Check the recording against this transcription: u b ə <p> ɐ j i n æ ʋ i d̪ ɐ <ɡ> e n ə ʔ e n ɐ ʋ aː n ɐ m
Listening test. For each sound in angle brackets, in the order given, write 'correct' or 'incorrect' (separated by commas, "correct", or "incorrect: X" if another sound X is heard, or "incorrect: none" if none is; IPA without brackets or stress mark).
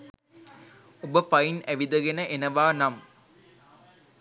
correct, correct